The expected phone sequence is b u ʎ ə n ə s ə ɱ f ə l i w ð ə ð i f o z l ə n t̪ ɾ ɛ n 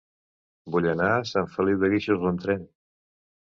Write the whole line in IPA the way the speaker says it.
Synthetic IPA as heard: b u ʎ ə n a s a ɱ f ə l i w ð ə ɣ i ʃ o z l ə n t̪ ɾ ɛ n